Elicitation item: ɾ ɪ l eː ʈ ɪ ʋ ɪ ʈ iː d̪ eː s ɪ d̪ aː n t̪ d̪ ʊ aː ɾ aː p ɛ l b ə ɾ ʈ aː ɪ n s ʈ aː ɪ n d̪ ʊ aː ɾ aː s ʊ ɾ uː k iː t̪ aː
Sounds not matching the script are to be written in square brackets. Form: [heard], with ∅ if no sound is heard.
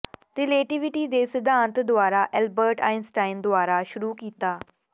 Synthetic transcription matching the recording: ɾ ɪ l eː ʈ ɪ ʋ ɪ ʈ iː d̪ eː s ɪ d̪ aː n t̪ d̪ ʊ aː ɾ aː [ʔ] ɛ l b ə ɾ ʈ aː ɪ n s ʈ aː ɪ n d̪ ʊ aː ɾ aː [ʃ] ʊ ɾ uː k iː t̪ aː